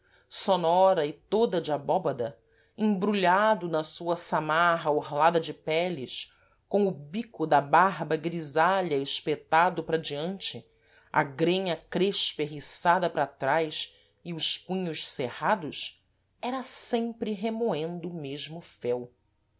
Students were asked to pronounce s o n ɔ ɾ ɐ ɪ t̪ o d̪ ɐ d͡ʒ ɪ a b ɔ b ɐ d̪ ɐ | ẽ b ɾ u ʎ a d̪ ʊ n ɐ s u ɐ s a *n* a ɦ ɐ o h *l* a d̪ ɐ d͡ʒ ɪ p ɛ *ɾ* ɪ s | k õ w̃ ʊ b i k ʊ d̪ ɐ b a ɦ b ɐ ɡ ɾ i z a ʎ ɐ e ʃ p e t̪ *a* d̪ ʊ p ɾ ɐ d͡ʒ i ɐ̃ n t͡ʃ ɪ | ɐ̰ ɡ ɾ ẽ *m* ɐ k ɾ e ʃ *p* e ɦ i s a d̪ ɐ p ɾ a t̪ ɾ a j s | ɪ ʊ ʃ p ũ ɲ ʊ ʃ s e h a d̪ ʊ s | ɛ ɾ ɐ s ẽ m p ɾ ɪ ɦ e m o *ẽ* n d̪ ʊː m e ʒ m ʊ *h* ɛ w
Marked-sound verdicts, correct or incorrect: incorrect: m, correct, incorrect: l, correct, incorrect: ɲ, correct, correct, incorrect: f

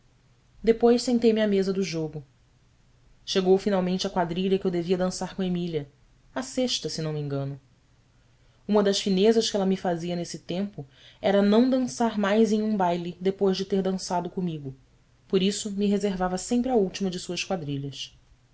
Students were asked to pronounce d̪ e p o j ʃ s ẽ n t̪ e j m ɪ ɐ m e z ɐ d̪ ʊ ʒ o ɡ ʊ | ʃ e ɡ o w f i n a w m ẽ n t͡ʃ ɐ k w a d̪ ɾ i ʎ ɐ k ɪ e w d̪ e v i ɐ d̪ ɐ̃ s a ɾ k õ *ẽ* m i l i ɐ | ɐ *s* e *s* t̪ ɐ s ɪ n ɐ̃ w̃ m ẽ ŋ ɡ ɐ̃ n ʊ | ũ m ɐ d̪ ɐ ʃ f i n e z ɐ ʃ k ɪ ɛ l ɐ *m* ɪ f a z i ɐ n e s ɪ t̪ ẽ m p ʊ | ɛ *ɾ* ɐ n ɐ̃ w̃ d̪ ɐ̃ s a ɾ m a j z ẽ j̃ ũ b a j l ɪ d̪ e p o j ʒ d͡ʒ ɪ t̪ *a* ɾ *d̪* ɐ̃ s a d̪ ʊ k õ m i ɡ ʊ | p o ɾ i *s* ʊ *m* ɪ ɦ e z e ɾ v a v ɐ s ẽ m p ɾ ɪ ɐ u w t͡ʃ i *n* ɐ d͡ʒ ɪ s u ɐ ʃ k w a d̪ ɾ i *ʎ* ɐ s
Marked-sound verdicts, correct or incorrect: incorrect: e, correct, incorrect: ʃ, correct, correct, incorrect: e, correct, correct, correct, incorrect: m, correct

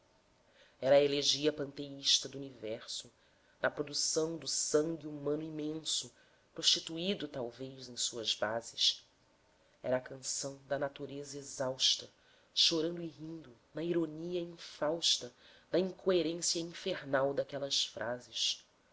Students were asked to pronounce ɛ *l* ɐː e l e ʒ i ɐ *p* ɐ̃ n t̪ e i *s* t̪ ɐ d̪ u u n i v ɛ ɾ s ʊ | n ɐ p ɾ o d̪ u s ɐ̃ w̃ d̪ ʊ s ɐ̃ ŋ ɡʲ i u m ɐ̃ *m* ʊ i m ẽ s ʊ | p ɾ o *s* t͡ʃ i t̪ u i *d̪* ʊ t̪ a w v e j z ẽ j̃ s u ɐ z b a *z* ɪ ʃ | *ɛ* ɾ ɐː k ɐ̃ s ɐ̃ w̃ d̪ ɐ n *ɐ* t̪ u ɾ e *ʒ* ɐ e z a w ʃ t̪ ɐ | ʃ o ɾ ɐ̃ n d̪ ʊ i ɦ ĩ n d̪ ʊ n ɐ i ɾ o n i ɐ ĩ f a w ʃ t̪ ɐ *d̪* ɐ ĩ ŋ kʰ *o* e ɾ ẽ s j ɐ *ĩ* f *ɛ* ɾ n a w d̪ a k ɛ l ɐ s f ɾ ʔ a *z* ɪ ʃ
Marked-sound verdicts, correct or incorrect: incorrect: ɾ, correct, incorrect: ʃ, incorrect: n, incorrect: ʃ, correct, correct, correct, incorrect: a, incorrect: z, correct, correct, correct, incorrect: e, correct

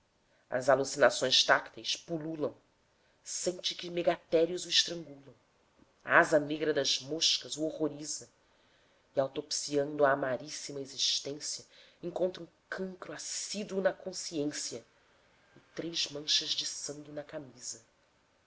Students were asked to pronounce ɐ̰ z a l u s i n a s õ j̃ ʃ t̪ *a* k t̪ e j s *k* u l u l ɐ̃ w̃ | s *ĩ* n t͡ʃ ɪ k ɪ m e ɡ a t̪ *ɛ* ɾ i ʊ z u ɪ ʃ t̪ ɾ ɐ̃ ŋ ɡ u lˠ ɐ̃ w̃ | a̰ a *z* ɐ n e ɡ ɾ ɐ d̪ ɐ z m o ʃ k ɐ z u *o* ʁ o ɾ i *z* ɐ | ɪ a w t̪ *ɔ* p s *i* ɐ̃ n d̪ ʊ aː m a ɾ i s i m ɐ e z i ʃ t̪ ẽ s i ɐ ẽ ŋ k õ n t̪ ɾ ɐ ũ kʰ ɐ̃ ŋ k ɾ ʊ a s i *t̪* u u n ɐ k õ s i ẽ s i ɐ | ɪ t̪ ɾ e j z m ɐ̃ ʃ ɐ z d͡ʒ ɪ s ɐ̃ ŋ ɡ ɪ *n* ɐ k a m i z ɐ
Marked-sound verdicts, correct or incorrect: correct, incorrect: p, incorrect: ẽ, correct, correct, correct, correct, incorrect: o, correct, incorrect: d̪, correct

